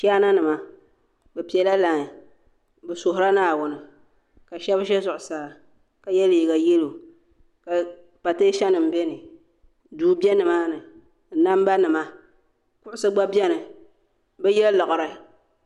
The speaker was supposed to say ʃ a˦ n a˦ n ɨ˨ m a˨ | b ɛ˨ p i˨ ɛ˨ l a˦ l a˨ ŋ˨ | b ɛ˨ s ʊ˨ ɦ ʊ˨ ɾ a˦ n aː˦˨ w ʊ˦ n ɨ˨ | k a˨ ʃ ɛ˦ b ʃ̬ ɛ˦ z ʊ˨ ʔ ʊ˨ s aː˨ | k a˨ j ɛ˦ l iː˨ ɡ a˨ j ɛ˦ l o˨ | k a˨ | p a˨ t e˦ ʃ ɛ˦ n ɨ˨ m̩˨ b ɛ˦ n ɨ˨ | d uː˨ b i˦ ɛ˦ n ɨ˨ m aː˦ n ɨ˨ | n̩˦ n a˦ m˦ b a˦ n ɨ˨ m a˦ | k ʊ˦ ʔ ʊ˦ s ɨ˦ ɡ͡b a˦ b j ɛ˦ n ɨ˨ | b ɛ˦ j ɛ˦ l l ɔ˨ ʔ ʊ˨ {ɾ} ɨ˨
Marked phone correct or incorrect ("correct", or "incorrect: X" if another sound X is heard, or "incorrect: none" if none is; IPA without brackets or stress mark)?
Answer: correct